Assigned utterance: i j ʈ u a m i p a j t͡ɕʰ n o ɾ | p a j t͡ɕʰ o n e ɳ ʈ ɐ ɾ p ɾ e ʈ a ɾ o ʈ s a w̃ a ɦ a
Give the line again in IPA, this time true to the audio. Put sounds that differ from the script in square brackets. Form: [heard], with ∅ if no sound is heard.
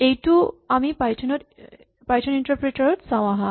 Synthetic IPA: [e] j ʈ u a m i p a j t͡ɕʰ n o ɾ | p a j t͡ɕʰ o n [i] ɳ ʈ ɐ ɾ p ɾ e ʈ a ɾ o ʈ s a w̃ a ɦ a